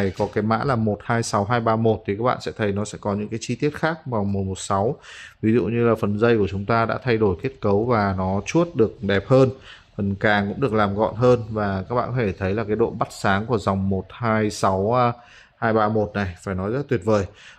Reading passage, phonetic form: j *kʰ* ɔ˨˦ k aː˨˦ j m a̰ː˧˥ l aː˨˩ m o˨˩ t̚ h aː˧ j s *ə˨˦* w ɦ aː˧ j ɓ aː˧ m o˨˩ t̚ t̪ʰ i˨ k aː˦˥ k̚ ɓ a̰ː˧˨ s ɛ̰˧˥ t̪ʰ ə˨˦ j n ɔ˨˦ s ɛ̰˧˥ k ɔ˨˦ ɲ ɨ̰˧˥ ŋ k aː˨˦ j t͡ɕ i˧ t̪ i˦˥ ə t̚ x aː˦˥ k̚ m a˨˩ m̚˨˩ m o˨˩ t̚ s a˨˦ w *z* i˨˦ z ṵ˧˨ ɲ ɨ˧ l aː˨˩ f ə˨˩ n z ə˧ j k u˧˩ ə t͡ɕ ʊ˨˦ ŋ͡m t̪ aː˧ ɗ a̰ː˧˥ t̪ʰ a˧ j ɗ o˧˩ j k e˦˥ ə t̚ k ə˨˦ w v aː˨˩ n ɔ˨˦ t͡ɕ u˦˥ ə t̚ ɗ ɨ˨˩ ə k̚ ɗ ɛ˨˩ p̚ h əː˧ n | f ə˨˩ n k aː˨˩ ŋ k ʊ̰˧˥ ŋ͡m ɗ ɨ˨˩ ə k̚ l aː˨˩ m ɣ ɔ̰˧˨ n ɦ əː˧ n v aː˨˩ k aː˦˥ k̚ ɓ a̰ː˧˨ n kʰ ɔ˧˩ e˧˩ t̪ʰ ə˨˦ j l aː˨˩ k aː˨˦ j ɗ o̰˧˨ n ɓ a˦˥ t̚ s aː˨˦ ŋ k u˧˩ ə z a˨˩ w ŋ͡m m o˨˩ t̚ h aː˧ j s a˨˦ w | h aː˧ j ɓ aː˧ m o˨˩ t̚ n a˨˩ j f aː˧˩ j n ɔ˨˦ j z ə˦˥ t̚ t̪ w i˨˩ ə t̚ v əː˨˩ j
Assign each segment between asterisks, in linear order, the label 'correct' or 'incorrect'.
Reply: incorrect: k, incorrect: a˨˦, incorrect: v

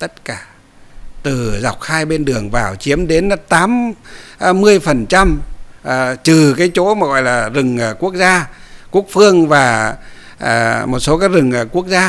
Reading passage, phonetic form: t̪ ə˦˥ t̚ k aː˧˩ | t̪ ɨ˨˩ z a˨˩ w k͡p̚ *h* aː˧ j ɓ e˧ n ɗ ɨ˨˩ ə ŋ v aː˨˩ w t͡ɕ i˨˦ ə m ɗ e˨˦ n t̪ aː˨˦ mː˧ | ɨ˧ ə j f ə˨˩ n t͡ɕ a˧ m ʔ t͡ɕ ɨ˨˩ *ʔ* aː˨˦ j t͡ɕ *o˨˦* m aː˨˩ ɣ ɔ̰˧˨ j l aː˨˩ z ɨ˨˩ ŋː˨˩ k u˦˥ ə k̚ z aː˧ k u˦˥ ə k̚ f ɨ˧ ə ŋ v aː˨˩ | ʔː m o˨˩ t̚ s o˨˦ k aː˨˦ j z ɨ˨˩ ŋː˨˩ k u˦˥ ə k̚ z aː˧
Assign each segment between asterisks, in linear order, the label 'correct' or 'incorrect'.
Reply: incorrect: x, incorrect: k, correct

